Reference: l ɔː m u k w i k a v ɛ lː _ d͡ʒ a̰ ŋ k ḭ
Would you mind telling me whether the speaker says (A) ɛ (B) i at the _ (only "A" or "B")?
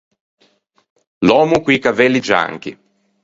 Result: B